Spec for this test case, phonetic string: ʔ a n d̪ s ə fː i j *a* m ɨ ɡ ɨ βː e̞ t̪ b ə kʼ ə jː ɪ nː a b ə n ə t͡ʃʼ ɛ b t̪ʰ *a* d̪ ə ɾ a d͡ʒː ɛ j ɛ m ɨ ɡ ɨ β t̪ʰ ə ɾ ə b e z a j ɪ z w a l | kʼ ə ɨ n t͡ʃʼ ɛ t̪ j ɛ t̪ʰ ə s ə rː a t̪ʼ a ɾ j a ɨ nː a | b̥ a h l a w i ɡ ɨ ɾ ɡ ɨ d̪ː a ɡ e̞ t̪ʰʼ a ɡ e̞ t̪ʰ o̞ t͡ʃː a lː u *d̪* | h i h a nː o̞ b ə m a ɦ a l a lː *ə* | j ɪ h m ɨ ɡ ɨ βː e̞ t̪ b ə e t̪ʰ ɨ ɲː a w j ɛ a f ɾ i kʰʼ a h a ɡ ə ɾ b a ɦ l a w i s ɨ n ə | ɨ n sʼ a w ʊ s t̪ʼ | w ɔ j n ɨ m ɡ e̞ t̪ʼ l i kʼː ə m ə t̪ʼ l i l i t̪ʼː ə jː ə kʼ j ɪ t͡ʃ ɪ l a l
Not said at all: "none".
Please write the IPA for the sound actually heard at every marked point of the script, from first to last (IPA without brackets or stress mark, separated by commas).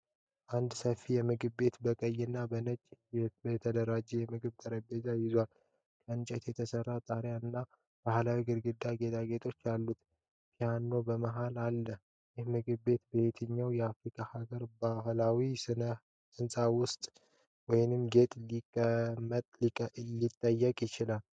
ɛ, ə, t̪, ə